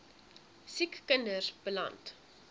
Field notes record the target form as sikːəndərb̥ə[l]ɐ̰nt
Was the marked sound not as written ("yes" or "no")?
no